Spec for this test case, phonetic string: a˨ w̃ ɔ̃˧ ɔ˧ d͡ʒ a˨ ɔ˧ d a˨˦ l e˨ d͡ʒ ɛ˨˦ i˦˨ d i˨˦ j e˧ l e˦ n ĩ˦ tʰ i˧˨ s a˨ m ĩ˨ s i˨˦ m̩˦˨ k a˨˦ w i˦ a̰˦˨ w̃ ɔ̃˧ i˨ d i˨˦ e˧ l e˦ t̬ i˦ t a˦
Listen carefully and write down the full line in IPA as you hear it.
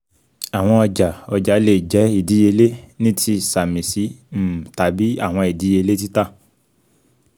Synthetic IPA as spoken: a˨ w̃ ɔ̃˧ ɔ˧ d͡ʒ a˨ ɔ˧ d͡ʒ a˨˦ l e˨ d͡ʒ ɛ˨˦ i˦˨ d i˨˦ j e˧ l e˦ n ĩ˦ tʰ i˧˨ s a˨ m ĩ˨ s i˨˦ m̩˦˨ t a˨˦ b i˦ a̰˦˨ w̃ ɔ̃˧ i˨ d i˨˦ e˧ l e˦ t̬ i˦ t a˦